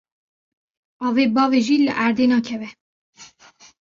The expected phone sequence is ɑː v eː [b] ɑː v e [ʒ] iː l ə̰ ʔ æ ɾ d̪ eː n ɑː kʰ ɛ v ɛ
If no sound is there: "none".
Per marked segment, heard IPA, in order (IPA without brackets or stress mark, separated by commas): b, ʒ